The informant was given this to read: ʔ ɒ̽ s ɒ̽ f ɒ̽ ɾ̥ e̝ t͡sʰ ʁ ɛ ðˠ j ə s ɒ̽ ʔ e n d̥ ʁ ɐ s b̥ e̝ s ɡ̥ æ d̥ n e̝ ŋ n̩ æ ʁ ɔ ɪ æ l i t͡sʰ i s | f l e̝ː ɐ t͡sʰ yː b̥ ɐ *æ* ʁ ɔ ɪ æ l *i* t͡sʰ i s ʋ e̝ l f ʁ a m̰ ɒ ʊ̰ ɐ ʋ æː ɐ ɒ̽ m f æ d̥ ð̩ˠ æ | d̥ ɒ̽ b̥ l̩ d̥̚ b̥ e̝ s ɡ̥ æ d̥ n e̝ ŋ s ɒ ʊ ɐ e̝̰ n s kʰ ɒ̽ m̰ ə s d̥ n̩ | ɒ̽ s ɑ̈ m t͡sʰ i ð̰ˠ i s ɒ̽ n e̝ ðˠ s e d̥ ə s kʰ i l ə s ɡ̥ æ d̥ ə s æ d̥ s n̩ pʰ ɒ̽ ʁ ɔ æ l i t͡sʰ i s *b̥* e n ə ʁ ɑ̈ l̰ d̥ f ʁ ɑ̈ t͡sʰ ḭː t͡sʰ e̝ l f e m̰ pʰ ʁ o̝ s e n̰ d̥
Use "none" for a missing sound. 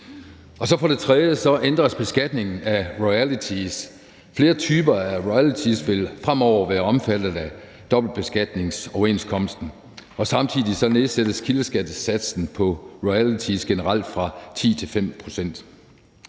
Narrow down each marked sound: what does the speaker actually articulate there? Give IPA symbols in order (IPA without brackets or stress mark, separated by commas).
æ, i, ɡ̥